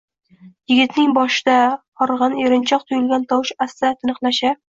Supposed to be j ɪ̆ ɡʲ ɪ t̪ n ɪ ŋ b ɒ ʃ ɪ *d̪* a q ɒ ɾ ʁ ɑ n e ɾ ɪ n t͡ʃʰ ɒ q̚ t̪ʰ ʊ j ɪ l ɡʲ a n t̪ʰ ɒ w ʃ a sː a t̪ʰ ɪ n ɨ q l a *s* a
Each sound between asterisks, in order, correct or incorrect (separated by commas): correct, incorrect